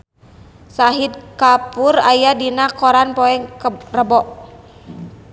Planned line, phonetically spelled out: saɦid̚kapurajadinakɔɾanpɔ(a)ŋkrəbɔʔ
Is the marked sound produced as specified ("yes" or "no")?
no